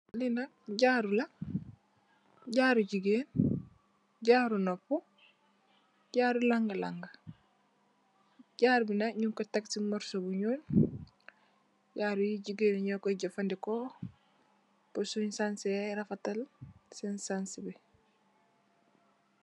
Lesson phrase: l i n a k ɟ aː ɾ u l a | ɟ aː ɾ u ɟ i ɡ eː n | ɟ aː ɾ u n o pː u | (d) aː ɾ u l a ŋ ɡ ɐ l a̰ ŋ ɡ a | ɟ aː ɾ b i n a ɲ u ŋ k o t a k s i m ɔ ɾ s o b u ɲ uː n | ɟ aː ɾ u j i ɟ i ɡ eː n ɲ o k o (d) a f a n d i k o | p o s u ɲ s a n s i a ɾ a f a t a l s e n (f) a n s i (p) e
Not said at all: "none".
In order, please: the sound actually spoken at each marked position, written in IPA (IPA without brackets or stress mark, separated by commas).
ɟ, ɟ, s, b